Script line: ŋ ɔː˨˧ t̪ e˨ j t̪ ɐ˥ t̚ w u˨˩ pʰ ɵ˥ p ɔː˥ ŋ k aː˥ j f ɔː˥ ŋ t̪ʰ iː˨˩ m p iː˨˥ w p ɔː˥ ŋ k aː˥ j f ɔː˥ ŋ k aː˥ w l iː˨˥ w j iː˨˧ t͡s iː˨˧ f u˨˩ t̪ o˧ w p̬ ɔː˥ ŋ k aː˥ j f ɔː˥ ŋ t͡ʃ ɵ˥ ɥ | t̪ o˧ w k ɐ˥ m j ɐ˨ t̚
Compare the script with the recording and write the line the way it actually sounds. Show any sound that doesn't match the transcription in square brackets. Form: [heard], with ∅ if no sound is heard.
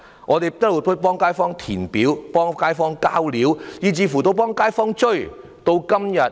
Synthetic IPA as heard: ŋ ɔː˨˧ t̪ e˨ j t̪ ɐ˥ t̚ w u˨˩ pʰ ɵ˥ p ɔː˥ ŋ k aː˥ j f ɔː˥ ŋ t̪ʰ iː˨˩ [n] p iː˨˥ w p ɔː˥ ŋ k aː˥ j f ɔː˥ ŋ k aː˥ w l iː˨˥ w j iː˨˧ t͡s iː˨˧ f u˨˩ t̪ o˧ w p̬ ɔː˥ ŋ k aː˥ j f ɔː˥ ŋ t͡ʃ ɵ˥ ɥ | t̪ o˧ w k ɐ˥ m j ɐ˨ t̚